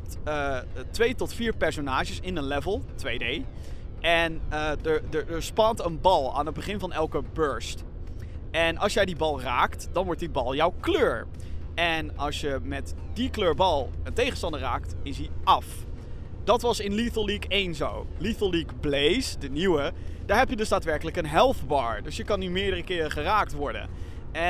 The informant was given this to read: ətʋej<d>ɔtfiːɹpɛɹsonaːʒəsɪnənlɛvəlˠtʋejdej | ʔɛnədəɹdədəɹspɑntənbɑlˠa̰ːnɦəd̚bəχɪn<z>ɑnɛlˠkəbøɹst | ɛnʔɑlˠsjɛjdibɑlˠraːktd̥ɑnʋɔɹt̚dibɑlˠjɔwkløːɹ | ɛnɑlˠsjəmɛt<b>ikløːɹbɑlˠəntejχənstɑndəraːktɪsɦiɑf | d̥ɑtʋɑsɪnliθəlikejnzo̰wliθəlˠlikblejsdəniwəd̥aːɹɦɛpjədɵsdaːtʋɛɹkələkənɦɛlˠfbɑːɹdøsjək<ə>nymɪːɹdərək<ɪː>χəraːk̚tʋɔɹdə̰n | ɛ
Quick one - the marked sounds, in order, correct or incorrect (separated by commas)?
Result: incorrect, incorrect, incorrect, incorrect, correct